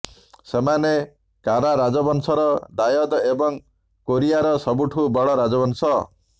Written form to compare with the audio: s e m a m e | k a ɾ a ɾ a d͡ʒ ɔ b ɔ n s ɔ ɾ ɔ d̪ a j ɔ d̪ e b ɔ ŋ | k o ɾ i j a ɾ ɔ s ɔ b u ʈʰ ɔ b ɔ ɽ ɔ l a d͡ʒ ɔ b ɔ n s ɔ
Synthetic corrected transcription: s e m a n e | k a ɾ a ɾ a d͡ʒ ɔ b ɔ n s ɔ ɾ ɔ d̪ a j ɔ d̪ e b ɔ ŋ | k o ɾ i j a ɾ ɔ s ɔ b u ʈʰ u b ɔ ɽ ɔ ɾ a d͡ʒ ɔ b ɔ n s ɔ